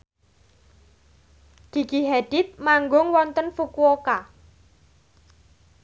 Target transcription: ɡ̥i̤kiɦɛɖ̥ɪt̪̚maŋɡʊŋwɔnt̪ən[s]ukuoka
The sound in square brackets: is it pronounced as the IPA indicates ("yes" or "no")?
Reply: no